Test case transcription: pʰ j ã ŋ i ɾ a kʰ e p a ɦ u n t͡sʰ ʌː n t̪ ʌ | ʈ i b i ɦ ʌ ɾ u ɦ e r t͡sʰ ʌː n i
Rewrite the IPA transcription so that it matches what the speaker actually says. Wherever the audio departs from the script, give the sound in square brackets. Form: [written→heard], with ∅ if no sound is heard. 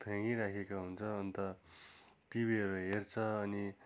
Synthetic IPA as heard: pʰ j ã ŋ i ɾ a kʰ e [p→k] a ɦ u n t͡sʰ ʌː n t̪ ʌ | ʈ i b i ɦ ʌ ɾ u ɦ e r t͡sʰ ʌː n i